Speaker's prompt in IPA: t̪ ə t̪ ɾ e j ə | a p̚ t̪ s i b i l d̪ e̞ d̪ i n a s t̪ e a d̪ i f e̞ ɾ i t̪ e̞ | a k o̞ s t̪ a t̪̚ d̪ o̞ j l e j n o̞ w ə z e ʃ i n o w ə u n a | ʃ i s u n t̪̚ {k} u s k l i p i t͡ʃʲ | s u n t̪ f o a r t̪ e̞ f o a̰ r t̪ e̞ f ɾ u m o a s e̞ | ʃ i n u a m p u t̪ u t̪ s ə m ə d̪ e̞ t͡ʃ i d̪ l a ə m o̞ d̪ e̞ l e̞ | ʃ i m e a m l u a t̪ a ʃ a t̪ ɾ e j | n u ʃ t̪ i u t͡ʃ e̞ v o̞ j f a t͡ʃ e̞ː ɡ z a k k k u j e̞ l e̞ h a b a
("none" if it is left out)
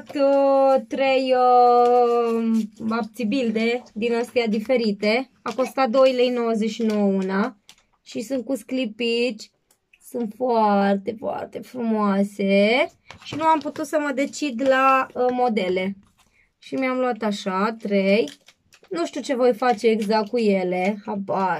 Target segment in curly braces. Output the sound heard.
k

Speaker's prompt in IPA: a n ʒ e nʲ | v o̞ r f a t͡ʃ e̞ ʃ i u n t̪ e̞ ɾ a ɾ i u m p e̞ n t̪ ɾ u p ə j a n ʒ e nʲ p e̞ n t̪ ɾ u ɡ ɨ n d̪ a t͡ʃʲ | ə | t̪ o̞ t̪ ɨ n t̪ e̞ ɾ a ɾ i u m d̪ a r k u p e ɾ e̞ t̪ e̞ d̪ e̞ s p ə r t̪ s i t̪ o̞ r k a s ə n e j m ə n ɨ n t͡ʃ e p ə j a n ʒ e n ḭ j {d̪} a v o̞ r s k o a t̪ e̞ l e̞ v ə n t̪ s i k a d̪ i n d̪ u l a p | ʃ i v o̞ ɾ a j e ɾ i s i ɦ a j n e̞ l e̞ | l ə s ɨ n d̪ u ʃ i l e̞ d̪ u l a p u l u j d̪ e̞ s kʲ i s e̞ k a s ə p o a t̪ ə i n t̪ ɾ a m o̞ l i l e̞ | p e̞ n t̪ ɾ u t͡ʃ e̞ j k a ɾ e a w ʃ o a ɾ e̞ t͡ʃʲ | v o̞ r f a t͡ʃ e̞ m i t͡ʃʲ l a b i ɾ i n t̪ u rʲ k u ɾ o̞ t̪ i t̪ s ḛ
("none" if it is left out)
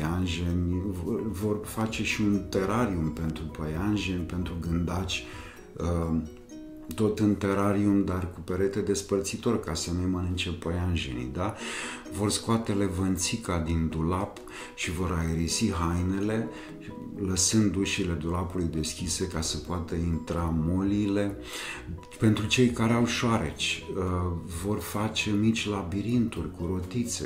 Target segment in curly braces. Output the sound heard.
d̪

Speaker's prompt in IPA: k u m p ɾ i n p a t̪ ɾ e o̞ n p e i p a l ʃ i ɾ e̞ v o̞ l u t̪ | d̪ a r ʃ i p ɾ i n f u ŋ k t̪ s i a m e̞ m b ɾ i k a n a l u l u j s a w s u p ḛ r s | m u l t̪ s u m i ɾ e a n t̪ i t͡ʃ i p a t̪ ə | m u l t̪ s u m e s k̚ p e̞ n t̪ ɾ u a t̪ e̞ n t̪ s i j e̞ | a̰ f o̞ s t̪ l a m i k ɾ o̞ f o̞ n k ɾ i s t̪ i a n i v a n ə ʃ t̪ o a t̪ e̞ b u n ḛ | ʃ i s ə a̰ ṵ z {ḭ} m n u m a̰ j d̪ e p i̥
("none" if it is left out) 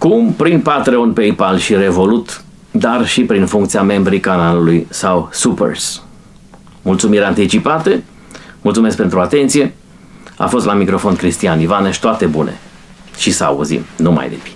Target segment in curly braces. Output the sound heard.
ḭ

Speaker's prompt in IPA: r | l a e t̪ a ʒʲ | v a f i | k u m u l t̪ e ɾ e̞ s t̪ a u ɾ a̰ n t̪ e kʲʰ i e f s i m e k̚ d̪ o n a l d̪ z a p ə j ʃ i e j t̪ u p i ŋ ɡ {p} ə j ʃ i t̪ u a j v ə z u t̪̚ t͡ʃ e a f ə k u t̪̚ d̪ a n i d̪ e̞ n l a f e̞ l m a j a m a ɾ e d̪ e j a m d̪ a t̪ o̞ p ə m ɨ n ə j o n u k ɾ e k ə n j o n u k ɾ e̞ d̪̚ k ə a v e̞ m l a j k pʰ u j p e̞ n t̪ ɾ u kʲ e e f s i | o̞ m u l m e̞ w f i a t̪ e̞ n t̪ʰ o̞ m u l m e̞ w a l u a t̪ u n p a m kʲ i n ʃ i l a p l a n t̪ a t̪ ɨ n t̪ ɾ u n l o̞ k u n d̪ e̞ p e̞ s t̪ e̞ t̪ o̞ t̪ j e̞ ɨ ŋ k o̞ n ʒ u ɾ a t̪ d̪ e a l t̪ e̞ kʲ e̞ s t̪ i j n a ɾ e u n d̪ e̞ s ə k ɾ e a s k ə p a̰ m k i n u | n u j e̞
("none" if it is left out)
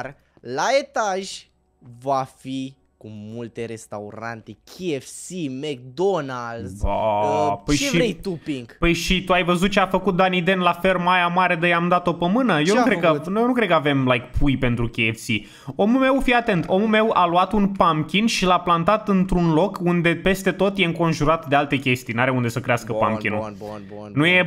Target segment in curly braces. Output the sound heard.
p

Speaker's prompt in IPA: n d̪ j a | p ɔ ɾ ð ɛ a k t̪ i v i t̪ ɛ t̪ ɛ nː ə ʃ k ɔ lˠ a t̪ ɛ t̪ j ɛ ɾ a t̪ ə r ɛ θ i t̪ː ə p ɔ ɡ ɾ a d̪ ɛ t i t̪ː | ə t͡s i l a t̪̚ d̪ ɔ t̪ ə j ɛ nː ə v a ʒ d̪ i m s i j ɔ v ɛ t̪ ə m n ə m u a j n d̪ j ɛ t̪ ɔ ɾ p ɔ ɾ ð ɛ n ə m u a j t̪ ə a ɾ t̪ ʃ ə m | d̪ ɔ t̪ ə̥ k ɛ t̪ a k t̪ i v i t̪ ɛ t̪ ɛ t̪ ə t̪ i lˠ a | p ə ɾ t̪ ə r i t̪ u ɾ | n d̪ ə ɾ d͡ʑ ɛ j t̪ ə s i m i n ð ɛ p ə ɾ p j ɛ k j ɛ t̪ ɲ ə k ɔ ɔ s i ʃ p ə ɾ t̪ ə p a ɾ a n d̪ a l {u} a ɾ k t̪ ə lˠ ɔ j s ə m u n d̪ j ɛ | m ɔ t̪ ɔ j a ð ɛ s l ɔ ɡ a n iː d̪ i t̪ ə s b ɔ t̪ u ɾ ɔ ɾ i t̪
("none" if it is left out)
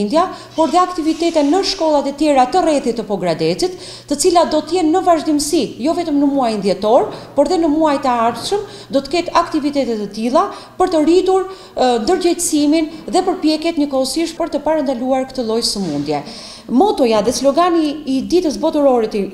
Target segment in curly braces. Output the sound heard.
u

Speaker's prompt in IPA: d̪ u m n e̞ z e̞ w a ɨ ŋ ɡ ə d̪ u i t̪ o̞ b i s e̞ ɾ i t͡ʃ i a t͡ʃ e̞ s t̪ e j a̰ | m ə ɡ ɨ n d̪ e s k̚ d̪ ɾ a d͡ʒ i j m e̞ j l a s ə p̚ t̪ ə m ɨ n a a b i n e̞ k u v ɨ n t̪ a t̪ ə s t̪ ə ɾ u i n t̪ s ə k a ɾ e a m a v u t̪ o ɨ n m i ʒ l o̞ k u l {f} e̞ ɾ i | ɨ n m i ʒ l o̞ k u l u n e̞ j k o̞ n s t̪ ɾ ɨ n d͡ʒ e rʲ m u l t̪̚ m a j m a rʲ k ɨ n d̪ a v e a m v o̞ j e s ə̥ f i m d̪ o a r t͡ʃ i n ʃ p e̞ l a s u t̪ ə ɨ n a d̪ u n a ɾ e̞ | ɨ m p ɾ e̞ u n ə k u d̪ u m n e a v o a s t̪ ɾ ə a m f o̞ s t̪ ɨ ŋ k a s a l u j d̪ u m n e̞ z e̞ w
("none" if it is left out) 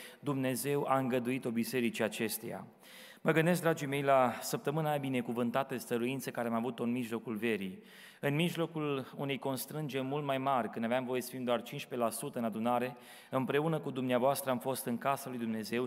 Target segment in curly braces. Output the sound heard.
v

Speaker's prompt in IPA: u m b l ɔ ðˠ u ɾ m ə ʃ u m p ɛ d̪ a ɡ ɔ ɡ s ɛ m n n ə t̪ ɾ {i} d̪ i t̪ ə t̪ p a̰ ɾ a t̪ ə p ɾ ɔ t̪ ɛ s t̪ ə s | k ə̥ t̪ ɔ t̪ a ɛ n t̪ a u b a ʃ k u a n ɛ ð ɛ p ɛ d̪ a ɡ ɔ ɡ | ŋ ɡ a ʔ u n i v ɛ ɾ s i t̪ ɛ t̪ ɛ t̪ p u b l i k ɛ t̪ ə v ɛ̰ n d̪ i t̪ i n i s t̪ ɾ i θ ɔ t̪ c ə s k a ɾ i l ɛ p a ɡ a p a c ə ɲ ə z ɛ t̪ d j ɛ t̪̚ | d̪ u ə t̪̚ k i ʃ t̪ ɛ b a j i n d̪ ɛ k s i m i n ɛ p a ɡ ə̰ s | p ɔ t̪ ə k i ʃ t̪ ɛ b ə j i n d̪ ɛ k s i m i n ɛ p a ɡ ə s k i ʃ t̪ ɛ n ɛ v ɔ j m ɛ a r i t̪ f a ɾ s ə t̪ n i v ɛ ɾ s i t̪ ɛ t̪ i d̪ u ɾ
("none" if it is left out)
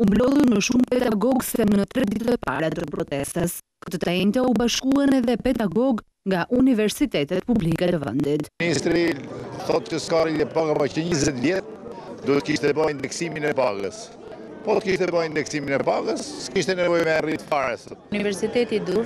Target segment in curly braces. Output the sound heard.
ɛ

